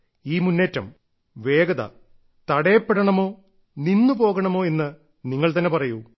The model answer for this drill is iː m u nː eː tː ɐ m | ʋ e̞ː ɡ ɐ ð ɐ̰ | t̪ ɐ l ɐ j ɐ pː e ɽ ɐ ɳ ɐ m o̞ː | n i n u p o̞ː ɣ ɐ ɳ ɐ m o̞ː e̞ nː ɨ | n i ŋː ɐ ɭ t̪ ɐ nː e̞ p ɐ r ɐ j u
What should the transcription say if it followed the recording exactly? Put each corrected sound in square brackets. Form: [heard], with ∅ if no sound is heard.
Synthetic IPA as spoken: iː m u nː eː tː ɐ m | ʋ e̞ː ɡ ɐ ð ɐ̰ | t̪ ɐ [ɽ] ɐ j ɐ pː e ɽ ɐ ɳ ɐ m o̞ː | n i [nː] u p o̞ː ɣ ɐ ɳ ɐ m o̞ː e̞ nː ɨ | n i ŋː ɐ ɭ t̪ ɐ nː e̞ p ɐ r ɐ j u